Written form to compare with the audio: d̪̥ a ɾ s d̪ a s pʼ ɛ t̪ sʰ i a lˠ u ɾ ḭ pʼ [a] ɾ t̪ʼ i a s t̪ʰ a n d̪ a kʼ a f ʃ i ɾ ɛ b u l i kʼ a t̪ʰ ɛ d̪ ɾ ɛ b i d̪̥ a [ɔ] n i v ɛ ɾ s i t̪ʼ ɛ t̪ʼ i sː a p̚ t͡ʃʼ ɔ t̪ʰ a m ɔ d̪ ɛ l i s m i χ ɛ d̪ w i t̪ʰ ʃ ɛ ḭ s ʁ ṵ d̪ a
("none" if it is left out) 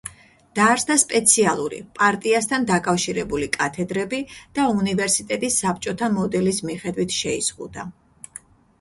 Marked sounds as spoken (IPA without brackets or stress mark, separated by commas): a, u